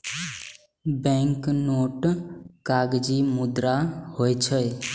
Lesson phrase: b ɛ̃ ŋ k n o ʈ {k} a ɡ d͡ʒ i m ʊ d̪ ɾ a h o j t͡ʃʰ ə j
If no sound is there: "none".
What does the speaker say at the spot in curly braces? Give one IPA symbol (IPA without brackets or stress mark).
k